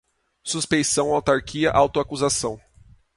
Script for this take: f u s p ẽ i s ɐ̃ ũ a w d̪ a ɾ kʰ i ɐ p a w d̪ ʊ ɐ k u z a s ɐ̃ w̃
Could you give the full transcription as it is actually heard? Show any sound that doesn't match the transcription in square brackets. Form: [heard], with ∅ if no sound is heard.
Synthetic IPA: [s] u s p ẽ [j] s ɐ̃ [w̃] a w [t̪] a ɾ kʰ i ɐ [ʔ] a w [t̪] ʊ [a] k u z a s ɐ̃ w̃